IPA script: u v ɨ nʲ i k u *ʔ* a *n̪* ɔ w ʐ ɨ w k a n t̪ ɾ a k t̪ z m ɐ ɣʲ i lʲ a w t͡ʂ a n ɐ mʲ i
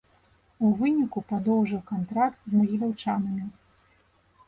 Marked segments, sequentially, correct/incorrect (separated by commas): incorrect, incorrect